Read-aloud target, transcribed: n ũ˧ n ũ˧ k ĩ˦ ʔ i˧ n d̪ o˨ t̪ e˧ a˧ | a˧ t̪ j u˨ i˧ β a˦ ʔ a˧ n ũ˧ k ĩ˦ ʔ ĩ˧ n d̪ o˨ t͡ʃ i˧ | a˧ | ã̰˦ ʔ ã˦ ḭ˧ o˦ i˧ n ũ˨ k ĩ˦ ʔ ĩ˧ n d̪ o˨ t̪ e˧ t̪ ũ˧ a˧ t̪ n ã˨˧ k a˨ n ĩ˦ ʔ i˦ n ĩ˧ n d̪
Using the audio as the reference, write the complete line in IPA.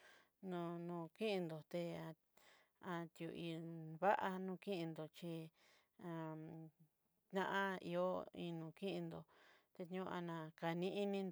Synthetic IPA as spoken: n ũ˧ n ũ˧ k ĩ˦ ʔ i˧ n d̪ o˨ t̪ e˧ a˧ | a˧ t̪ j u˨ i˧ β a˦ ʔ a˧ n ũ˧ k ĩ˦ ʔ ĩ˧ n d̪ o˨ t͡ʃ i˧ | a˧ | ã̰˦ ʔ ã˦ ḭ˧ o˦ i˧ n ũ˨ k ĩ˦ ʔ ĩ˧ n d̪ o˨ t̪ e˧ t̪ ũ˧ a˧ n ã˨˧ k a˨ n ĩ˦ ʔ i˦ n ĩ˧ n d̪